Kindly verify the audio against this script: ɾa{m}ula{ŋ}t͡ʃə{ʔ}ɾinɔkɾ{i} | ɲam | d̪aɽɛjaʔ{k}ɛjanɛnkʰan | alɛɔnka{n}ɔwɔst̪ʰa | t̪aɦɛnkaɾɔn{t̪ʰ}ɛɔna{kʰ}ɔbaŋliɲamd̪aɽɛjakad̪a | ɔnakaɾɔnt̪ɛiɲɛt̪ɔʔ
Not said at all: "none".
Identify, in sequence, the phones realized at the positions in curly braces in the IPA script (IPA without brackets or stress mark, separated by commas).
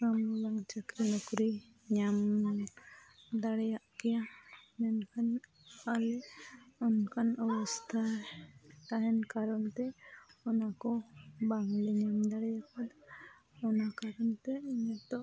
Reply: m, ŋ, k, i, k, n, t̪, k